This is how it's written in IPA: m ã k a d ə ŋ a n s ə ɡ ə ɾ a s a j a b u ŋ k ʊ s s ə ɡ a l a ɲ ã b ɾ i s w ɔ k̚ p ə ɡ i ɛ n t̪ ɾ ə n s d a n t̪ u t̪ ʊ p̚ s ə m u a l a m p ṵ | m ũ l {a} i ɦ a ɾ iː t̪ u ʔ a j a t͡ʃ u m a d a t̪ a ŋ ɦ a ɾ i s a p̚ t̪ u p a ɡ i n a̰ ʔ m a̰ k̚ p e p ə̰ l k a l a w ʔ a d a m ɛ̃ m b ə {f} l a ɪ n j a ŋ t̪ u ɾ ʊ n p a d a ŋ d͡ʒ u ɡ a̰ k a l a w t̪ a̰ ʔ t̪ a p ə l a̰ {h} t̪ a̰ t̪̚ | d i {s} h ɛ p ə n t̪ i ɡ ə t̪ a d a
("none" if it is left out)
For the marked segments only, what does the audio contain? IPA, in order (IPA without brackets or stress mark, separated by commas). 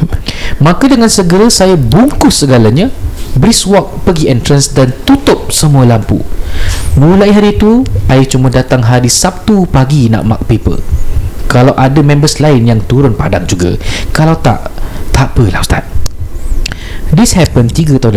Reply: a, s, s, s